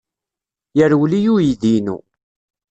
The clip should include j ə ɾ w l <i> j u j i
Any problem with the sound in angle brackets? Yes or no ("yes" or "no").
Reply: no